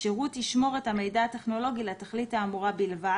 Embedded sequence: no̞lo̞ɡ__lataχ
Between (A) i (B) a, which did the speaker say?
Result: A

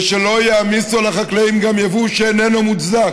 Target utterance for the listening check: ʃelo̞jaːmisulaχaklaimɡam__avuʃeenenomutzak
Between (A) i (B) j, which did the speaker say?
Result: B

